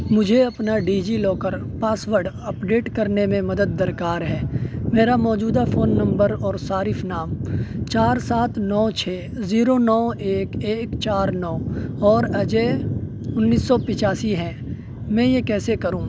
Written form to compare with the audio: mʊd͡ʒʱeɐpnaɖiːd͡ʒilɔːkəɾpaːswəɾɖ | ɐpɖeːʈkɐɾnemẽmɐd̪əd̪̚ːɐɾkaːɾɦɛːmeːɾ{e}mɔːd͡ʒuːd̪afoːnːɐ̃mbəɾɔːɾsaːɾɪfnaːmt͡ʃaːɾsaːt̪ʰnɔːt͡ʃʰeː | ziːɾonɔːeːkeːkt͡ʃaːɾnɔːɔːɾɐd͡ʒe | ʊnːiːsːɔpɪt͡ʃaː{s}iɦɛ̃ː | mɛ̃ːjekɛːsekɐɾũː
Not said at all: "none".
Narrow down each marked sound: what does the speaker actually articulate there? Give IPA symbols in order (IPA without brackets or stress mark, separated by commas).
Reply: a, s